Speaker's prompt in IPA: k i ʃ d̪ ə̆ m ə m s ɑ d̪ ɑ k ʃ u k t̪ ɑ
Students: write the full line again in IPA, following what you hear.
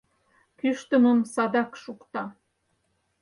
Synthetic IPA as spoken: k y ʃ t̪ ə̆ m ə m s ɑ d̪ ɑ k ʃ u k t̪ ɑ